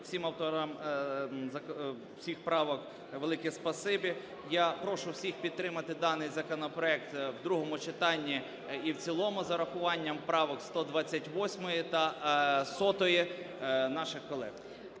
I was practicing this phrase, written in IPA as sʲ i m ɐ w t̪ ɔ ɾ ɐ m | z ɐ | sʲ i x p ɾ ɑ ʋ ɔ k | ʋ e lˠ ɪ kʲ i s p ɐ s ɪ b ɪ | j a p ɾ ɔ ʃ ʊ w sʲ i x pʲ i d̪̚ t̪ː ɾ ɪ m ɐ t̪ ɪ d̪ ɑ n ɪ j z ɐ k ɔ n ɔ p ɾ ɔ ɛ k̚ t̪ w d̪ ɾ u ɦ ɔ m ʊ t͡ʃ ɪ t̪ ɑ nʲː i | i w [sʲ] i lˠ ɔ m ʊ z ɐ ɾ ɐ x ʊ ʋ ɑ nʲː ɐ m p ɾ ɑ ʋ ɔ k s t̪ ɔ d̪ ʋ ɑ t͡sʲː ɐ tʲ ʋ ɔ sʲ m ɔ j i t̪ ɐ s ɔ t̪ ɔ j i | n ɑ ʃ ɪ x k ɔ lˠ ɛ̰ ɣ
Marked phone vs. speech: incorrect: t͡sʲ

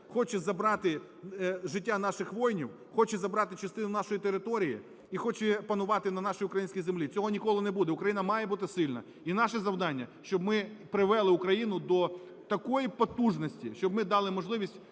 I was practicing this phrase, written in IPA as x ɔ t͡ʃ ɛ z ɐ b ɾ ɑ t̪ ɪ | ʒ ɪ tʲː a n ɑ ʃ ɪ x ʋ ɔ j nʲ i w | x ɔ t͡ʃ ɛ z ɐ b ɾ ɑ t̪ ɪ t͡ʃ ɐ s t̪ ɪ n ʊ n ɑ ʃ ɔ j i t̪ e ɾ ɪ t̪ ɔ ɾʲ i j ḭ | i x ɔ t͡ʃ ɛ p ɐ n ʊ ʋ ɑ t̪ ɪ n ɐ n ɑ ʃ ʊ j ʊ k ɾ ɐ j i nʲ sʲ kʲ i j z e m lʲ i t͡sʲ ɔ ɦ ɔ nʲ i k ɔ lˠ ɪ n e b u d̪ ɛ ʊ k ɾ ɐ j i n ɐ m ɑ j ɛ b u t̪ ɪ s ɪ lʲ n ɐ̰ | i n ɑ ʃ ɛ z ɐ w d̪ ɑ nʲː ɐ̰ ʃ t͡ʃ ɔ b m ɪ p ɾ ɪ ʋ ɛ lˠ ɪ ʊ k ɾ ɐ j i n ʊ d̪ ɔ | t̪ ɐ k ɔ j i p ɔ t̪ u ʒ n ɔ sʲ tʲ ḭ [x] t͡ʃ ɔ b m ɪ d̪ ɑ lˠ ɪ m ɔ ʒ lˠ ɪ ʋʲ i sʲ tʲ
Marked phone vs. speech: incorrect: ʃ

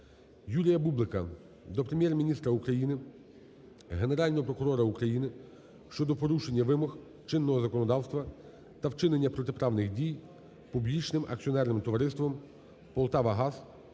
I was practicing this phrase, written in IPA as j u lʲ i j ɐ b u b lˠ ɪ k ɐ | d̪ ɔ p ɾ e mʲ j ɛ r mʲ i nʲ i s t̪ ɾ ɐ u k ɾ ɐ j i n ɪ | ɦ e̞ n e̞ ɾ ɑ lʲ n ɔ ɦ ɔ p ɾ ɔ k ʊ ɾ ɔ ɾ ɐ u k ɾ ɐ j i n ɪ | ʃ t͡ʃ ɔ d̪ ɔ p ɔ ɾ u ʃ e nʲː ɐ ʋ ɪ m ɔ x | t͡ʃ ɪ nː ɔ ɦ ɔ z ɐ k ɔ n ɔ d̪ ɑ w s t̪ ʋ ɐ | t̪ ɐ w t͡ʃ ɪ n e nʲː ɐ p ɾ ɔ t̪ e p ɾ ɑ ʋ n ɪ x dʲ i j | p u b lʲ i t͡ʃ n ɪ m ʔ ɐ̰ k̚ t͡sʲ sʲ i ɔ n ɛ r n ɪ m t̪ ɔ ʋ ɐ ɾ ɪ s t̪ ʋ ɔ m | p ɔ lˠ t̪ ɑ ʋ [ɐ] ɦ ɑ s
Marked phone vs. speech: correct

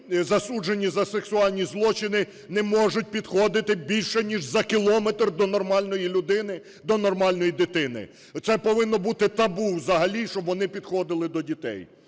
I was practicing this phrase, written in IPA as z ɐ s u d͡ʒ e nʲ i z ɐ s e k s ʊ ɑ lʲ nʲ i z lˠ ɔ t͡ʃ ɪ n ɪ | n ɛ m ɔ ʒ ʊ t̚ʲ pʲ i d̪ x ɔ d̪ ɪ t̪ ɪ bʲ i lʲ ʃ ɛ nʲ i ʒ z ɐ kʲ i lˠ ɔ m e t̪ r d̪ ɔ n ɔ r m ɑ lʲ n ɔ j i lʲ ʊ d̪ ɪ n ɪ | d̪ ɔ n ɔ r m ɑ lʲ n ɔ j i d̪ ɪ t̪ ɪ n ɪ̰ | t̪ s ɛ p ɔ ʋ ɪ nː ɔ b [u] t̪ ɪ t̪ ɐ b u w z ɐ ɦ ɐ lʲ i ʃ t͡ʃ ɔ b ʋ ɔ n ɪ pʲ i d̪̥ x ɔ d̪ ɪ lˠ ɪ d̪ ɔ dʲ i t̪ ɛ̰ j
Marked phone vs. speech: correct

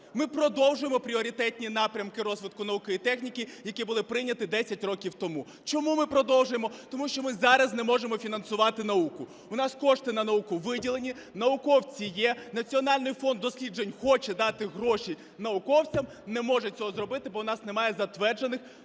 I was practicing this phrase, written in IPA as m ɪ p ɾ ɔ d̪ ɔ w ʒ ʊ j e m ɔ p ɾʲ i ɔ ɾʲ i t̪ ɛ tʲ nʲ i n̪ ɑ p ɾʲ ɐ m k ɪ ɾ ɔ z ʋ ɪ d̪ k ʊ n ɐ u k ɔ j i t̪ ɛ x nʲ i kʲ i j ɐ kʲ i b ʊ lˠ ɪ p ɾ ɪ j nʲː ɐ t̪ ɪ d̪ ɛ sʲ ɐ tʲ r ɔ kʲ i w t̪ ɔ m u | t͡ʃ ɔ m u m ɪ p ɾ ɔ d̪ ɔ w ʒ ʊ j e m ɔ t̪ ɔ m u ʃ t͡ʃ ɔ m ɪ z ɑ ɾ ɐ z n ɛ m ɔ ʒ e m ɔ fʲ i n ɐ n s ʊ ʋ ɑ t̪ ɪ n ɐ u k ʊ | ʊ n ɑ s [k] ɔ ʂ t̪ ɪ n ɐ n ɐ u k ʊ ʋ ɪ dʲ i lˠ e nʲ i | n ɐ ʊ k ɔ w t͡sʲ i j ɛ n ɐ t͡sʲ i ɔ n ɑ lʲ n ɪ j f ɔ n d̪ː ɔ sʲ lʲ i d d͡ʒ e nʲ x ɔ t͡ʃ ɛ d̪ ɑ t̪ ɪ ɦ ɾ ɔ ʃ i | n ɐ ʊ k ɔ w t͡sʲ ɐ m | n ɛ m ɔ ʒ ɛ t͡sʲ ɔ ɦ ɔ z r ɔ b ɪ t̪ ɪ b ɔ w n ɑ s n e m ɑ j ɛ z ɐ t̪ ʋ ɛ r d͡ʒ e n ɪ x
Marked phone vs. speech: correct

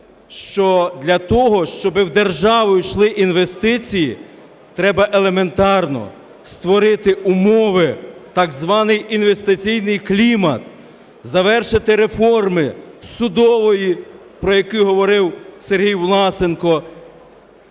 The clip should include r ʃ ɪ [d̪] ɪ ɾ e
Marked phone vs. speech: incorrect: t̪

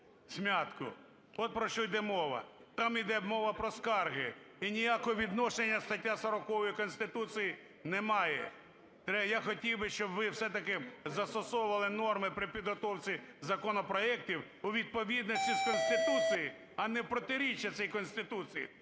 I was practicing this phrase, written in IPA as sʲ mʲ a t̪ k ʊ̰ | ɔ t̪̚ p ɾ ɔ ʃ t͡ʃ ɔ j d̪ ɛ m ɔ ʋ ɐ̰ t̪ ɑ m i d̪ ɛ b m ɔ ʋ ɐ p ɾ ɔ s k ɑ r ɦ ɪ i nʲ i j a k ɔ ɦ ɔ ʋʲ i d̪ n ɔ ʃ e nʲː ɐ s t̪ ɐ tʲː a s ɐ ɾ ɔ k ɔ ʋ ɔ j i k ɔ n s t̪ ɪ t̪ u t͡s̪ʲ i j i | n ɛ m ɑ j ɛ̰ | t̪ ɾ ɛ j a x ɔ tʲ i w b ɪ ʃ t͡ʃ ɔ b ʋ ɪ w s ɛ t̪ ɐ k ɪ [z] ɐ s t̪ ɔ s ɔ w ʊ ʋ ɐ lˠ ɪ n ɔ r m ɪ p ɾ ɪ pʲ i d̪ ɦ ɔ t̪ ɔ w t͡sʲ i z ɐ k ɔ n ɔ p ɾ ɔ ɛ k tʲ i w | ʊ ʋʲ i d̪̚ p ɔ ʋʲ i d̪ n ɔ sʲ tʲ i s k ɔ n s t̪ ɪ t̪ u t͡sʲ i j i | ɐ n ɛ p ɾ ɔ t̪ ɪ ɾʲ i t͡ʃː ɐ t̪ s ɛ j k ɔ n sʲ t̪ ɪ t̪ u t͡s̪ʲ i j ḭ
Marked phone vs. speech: correct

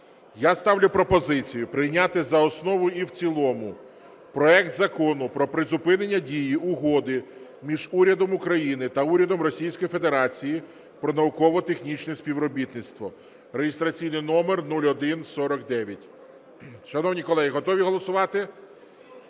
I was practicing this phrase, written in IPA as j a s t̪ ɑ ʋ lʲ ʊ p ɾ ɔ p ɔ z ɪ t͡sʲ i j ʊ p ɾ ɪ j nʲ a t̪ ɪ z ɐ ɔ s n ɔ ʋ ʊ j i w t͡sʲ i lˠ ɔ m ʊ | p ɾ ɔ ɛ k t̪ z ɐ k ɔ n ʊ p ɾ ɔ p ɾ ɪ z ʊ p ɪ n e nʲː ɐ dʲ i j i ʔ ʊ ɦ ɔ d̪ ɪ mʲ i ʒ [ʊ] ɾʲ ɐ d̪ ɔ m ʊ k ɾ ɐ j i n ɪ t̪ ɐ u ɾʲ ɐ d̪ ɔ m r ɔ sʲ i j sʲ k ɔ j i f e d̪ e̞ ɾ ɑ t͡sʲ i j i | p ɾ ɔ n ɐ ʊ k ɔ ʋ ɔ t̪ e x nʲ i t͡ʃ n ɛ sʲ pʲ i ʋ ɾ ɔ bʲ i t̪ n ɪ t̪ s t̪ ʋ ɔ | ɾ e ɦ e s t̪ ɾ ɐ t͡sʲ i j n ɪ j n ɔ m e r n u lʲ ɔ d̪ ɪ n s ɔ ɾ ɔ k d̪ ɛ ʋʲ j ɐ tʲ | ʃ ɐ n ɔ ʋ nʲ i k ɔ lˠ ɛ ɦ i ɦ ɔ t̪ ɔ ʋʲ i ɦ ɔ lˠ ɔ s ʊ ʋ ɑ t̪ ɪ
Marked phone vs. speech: incorrect: u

